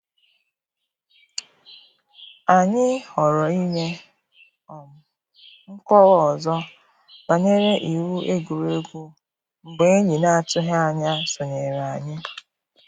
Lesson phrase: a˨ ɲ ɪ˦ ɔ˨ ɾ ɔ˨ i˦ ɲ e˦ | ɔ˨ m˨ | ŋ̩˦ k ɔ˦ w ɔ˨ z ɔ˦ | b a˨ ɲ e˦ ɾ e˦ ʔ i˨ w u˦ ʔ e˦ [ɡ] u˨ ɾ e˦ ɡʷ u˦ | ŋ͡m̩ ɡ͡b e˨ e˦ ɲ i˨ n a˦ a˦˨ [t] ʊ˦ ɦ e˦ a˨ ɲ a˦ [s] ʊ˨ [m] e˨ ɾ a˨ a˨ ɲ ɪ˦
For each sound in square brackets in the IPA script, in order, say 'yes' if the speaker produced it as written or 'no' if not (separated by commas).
yes, yes, yes, no